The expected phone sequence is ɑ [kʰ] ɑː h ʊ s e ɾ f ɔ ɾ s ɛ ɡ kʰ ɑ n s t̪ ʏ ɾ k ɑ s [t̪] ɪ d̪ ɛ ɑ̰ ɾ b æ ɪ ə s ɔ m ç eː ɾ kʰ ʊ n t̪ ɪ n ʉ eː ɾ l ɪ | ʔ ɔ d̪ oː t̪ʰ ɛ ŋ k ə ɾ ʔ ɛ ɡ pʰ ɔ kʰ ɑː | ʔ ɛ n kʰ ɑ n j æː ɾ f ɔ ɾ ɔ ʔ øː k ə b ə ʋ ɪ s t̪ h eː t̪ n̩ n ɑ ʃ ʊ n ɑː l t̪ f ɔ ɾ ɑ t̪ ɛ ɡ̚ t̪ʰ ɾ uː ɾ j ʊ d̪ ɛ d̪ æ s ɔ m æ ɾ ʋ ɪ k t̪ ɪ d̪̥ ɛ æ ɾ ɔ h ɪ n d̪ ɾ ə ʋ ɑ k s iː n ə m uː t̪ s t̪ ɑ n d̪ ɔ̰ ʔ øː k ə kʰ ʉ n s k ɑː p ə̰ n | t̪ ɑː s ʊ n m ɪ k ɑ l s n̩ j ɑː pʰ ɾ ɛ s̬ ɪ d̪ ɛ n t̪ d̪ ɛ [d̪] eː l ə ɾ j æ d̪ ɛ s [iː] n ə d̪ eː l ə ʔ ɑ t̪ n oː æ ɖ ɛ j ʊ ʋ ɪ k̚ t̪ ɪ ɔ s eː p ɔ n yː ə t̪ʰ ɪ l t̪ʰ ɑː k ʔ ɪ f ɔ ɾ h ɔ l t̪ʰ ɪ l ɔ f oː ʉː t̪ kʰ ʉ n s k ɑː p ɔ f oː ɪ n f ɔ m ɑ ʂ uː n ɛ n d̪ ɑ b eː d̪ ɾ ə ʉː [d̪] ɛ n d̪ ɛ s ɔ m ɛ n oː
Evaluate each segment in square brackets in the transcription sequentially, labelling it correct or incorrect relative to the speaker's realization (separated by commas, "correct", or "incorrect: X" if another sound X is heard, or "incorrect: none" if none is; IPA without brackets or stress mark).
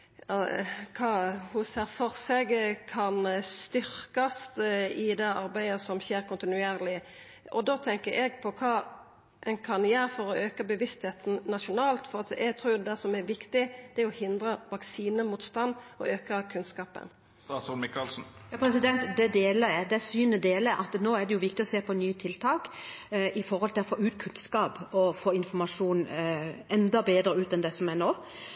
correct, correct, correct, incorrect: yː, incorrect: t̪